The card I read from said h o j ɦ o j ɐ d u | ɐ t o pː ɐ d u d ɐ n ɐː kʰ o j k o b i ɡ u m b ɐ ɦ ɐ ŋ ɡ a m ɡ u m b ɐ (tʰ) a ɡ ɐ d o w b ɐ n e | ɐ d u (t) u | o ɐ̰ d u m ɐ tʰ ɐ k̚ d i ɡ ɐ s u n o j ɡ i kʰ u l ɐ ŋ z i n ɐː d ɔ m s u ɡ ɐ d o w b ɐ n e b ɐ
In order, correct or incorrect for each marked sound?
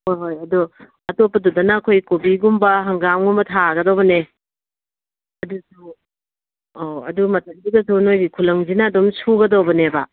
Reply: correct, incorrect: s

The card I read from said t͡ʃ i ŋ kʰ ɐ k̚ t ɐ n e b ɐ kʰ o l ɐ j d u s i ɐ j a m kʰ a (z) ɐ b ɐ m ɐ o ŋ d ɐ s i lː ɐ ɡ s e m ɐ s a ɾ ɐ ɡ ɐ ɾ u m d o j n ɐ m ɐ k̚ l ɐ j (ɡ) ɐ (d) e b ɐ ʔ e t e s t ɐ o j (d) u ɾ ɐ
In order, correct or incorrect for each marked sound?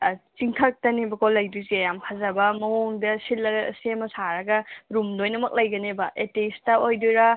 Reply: correct, correct, incorrect: n, correct

